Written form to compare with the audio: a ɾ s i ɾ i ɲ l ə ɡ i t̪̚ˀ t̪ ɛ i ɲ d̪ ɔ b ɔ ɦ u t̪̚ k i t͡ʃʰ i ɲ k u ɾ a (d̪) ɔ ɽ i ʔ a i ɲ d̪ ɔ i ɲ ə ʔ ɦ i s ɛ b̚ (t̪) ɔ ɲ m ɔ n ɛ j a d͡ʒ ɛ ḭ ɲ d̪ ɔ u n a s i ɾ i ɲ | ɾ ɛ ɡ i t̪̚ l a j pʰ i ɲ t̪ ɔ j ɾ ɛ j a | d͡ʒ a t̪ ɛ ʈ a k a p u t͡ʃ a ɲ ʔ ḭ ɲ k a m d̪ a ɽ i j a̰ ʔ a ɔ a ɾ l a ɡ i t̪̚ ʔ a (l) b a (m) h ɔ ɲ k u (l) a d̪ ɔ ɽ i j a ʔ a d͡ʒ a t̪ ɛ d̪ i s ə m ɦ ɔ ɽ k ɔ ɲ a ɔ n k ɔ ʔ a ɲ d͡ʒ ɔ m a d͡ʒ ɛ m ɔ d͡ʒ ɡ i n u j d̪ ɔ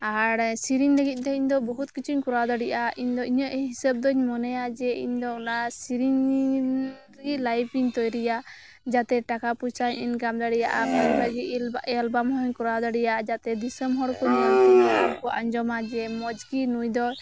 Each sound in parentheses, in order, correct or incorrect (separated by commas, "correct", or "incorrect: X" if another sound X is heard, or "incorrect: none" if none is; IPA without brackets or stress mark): correct, incorrect: d̪, correct, correct, incorrect: ɾ